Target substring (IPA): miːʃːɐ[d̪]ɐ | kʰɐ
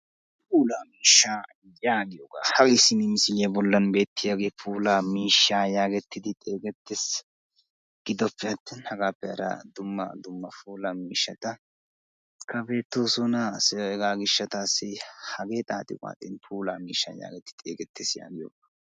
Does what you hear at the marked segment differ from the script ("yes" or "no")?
yes